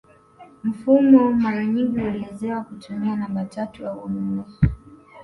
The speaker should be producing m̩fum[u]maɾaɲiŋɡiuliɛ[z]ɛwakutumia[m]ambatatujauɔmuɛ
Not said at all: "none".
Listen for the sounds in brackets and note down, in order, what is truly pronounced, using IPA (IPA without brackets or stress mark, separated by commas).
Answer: ɔ, z, n